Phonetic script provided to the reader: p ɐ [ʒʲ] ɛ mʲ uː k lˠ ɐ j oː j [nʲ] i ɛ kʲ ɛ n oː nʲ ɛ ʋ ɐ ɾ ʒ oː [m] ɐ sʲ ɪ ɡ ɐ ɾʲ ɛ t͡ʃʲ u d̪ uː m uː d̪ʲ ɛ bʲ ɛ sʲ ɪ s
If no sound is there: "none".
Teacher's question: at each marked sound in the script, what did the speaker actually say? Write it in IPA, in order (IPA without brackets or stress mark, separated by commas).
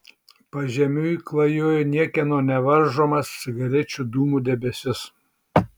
ʒʲ, nʲ, m